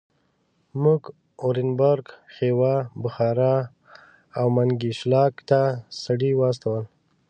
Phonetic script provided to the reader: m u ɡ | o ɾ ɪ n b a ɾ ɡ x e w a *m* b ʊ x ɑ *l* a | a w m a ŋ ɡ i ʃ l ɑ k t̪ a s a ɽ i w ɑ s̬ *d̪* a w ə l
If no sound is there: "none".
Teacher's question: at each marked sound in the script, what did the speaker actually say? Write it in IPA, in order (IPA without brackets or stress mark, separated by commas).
none, ɾ, t̪